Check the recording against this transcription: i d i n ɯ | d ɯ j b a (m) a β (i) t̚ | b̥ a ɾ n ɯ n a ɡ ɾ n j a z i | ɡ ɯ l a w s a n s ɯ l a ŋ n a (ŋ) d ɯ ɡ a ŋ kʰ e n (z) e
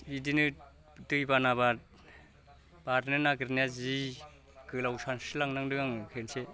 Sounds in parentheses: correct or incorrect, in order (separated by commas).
incorrect, incorrect, correct, incorrect